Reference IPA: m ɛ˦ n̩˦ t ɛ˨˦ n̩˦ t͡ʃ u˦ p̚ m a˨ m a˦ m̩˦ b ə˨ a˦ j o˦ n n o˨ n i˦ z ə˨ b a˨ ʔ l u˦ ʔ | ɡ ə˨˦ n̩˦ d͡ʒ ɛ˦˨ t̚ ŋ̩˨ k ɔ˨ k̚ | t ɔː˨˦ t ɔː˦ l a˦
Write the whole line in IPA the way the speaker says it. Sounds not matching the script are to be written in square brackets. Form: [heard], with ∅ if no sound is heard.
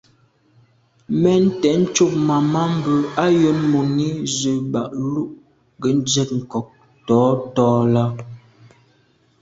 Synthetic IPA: m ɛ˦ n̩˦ t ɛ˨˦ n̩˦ t͡ʃ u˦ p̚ m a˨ m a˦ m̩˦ b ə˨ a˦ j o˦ n [m] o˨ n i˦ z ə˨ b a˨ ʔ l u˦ ʔ | ɡ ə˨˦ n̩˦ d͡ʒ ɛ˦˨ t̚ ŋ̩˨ k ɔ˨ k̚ | t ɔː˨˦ t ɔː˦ l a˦